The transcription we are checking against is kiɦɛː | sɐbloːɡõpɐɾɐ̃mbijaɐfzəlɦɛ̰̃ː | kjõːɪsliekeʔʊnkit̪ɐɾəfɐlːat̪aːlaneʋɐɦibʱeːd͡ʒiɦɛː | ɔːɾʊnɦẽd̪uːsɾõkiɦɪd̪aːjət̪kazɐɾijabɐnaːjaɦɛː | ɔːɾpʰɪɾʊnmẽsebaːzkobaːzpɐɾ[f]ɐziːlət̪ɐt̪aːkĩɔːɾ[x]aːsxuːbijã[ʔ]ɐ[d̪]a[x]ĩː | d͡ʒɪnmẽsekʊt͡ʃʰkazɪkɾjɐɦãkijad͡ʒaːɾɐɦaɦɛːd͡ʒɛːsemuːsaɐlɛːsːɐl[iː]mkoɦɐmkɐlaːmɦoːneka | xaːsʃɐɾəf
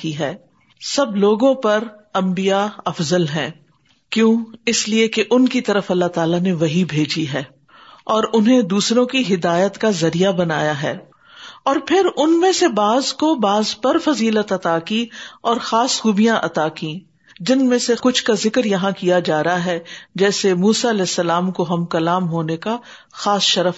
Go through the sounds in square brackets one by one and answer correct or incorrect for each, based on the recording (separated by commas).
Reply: correct, correct, correct, incorrect, incorrect, incorrect